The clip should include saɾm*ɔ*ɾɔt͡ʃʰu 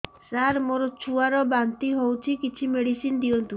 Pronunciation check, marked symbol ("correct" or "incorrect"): incorrect